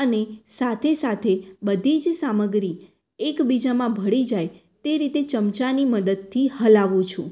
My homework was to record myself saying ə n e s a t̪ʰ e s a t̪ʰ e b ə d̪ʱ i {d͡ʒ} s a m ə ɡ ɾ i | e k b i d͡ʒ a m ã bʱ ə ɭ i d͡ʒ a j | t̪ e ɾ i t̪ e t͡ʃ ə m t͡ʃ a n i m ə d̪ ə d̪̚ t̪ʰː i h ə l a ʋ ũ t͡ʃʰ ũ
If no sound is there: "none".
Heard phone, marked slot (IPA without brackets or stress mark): d͡ʒ